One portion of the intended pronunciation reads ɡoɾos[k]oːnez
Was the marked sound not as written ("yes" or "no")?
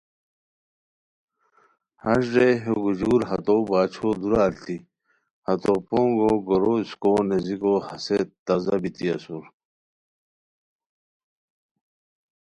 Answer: no